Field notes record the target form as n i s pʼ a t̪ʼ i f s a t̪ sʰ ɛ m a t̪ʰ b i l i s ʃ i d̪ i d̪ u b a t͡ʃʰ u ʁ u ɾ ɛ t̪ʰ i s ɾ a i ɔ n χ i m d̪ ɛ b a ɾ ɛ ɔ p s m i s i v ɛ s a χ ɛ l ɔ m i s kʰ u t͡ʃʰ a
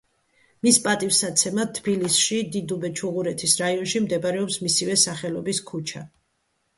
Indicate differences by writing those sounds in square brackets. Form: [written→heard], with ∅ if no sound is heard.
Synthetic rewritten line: [n→m] i s pʼ a t̪ʼ i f s a t̪ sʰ ɛ m a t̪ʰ b i l i s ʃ i d̪ i d̪ u b [a→ɛ] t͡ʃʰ u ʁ u ɾ ɛ t̪ʰ i s ɾ a i ɔ n [χ→ʃ] i m d̪ ɛ b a ɾ ɛ ɔ p s m i s i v ɛ s a χ ɛ l ɔ [m→b] i s kʰ u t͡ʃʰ a